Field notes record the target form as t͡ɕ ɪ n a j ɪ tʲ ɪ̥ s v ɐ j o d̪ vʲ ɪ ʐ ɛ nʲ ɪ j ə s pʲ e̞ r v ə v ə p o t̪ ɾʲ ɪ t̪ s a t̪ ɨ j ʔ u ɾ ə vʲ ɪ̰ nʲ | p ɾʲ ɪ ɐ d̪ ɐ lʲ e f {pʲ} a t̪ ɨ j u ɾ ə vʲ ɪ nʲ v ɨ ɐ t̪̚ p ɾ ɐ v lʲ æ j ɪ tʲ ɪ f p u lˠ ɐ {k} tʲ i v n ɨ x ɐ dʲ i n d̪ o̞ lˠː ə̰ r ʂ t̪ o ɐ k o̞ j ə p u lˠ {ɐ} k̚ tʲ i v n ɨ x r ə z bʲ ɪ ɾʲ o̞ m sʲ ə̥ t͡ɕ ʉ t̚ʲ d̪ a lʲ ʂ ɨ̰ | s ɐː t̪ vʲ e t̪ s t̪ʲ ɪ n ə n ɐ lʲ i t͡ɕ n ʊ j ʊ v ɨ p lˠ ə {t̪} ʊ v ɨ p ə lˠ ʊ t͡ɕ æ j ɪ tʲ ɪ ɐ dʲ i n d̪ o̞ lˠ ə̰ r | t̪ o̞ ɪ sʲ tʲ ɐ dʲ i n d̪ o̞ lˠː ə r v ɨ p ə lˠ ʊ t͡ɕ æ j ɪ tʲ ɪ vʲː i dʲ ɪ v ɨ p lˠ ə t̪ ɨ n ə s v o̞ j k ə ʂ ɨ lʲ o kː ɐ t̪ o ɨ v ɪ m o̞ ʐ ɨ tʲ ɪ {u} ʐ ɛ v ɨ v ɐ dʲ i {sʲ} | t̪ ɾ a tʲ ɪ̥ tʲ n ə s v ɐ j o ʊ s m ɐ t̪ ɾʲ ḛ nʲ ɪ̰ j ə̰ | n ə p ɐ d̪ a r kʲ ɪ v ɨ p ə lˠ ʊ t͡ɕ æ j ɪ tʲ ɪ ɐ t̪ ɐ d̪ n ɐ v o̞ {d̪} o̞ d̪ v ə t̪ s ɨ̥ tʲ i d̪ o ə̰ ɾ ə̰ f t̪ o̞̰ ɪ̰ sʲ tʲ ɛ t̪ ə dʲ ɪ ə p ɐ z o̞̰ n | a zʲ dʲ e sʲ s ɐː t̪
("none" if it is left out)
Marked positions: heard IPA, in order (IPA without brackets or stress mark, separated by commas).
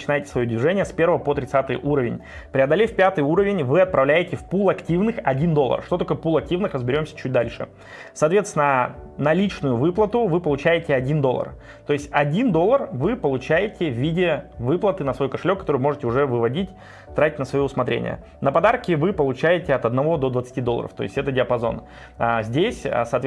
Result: pʲ, k, ɐ, t̪, ʊ, tʲ, d̪